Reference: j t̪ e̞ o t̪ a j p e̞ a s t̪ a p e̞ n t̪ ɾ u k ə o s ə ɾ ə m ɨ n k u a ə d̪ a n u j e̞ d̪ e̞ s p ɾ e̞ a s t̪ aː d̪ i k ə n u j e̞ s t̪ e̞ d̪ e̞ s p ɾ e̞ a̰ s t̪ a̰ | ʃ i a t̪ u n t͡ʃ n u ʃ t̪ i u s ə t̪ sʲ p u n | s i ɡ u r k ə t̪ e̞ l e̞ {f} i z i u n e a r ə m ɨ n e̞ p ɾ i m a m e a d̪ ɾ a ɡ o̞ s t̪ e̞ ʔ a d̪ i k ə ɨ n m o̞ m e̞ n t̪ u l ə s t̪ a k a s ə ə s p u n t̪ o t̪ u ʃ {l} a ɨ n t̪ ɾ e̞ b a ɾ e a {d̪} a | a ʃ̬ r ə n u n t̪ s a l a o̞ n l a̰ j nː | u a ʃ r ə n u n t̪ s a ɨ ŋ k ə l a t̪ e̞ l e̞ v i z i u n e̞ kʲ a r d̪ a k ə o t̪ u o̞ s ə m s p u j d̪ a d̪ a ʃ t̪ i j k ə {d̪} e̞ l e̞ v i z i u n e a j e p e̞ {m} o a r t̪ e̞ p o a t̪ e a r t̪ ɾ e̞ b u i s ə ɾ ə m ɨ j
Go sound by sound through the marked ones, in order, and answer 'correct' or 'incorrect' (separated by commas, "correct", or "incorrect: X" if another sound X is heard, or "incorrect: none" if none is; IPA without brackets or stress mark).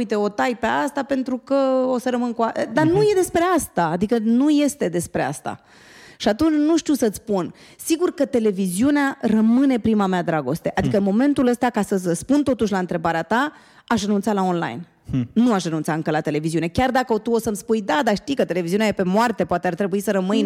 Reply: incorrect: v, correct, incorrect: t̪, incorrect: t̪, correct